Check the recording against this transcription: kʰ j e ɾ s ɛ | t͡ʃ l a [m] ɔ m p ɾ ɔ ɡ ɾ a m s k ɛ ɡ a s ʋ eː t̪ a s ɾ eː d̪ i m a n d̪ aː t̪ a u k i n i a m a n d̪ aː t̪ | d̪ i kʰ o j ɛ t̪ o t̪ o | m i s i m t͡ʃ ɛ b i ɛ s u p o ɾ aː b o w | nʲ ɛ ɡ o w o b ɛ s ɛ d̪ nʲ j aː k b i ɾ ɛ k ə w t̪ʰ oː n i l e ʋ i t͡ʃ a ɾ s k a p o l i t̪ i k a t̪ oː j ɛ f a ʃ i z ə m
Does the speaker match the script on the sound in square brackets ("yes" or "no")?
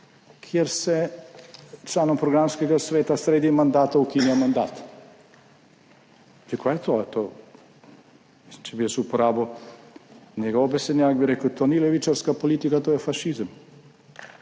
no